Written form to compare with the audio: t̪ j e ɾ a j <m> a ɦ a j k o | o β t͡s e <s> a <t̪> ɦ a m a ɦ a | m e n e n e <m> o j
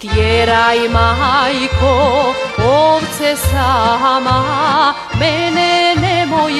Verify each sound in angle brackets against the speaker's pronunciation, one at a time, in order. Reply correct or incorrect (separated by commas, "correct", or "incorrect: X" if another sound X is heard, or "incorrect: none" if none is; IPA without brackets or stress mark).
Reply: correct, correct, incorrect: none, correct